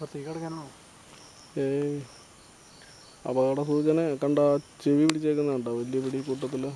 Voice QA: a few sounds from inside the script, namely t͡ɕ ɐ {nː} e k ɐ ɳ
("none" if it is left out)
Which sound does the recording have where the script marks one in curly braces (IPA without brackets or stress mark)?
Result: n